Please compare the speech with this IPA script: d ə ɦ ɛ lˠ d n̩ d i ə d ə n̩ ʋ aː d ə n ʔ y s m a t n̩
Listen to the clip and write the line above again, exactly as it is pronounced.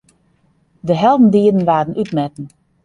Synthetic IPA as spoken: d ə ɦ ɛ lˠ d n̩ d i ə d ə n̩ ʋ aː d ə n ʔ y t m ɛ t n̩